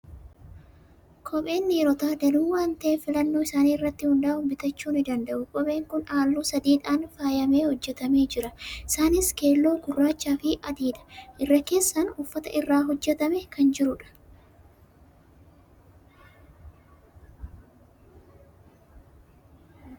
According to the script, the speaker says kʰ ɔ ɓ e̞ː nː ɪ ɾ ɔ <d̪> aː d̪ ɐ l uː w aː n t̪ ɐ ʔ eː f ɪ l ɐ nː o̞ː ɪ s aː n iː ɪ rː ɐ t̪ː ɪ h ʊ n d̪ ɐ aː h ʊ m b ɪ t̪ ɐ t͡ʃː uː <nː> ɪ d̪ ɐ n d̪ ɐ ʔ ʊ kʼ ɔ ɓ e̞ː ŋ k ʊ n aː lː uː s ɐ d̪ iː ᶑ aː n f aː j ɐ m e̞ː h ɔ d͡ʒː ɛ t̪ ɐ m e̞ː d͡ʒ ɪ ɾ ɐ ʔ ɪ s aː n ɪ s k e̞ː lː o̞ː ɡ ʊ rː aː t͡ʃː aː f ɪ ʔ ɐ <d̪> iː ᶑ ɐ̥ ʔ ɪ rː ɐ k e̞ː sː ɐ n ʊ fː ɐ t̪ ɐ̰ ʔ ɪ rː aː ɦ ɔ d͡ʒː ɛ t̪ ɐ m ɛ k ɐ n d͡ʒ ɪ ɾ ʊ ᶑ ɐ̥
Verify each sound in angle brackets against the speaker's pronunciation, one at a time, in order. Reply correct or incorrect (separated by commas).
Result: incorrect, incorrect, correct